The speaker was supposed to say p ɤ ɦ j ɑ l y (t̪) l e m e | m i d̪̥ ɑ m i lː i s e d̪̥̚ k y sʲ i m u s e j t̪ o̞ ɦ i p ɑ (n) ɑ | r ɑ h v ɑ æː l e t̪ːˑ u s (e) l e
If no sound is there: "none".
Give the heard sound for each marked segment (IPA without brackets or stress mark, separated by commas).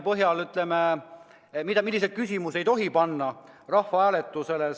t̪, nː, e